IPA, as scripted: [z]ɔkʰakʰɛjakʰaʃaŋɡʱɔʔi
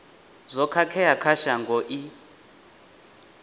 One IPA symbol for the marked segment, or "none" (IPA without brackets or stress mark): z